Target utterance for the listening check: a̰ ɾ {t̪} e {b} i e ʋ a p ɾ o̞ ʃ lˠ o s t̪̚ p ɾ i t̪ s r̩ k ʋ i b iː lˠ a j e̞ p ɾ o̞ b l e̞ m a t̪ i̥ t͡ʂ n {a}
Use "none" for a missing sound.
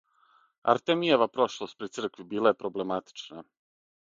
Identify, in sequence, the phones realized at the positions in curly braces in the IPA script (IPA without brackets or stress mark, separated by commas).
t̪, m, a